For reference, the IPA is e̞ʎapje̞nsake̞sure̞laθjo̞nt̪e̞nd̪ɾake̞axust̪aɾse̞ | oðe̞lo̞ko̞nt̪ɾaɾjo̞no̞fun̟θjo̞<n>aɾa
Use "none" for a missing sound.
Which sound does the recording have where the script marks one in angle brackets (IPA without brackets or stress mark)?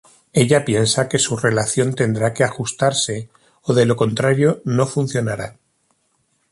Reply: n